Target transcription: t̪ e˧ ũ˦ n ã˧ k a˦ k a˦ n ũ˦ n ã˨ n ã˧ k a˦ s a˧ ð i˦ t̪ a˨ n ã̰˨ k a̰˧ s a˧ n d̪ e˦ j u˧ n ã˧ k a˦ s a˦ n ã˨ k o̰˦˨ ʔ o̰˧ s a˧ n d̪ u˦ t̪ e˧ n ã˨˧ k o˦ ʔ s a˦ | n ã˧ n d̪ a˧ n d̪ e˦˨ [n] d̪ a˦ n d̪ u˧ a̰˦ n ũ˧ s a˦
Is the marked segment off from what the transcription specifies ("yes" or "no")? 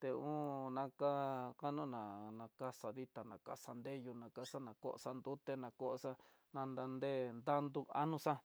no